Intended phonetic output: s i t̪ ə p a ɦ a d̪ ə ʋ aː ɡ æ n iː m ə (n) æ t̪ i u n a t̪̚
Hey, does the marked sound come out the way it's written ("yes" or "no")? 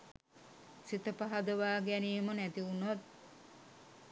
yes